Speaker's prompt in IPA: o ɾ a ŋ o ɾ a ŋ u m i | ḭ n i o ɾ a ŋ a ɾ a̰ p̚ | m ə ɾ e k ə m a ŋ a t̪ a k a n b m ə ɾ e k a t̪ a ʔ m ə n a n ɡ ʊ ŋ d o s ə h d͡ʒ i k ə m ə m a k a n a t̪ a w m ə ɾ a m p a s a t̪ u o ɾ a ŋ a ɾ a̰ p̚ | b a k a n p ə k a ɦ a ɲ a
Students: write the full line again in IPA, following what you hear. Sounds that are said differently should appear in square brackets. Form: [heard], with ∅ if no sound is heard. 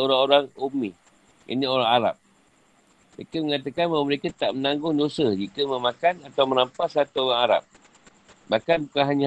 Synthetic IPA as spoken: o ɾ a ŋ o ɾ a ŋ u m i | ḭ n i o ɾ a ŋ a ɾ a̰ p̚ | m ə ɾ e k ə m [ə] ŋ a t̪ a k a n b m ə ɾ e k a t̪ a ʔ m ə n a [ŋ] ɡ ʊ ŋ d o s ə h d͡ʒ i k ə m ə m a k a n a t̪ a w m ə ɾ a m p a s a t̪ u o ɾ a ŋ a ɾ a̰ p̚ | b a k a n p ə k a ɦ a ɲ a